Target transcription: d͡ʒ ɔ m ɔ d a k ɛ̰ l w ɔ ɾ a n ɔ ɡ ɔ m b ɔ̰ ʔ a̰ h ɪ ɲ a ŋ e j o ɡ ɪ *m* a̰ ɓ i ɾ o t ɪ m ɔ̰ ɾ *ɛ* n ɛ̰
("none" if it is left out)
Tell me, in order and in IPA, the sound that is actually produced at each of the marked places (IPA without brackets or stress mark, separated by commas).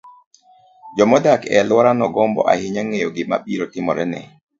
m, ɛ